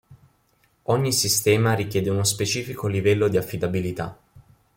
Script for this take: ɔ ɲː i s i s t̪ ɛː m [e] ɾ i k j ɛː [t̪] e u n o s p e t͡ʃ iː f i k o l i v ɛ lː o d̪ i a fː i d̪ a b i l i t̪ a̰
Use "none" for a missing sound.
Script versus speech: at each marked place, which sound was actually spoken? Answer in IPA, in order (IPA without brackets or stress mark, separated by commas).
a, d̪